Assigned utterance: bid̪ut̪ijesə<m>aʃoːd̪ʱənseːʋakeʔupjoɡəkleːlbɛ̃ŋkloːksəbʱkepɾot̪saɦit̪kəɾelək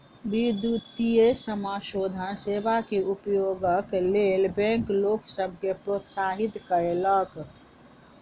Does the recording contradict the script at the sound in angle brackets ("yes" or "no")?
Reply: no